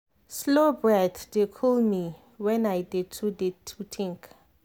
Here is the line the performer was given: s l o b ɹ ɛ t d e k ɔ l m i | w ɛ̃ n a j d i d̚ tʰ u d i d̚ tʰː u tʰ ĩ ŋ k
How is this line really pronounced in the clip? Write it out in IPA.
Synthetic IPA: s l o b ɹ ɛ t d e kʰ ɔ l m i | w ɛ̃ n a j d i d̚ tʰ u d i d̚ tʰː u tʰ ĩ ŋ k